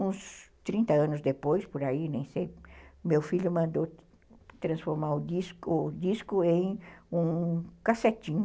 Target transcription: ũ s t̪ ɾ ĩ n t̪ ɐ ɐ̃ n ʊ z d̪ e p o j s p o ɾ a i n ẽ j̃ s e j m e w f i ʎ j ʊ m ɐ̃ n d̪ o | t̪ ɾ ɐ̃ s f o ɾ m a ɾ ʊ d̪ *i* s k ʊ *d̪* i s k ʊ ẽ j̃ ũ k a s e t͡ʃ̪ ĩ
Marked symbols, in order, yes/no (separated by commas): yes, yes